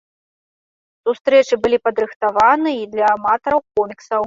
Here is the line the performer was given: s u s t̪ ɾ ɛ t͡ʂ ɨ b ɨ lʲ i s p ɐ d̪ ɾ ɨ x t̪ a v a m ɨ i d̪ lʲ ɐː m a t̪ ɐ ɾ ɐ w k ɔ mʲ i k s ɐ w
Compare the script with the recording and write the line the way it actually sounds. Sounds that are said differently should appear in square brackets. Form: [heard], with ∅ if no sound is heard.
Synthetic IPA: s u s t̪ ɾ ɛ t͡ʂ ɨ b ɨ lʲ i [∅] p ɐ d̪ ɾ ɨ x t̪ a v a [n] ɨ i d̪ lʲ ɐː m a t̪ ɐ ɾ ɐ w k ɔ mʲ i k s ɐ w